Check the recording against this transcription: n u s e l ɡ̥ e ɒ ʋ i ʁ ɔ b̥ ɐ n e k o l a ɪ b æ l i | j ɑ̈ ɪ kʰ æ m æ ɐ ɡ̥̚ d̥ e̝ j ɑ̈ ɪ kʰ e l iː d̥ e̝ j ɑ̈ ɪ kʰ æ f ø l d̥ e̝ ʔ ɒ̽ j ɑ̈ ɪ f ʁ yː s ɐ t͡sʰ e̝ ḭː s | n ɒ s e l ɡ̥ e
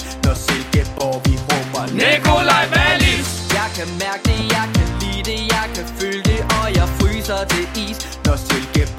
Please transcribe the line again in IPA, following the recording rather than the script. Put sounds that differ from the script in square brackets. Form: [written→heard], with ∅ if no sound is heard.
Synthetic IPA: n [u→ɒ] s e l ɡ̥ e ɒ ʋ i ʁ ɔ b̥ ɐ n e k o l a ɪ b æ l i | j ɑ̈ ɪ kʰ æ m æ ɐ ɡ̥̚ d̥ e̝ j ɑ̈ ɪ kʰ [e→æ] l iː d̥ e̝ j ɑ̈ ɪ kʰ æ f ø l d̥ e̝ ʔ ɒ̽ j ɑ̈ ɪ f ʁ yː s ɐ t͡sʰ e̝ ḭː s | n ɒ s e l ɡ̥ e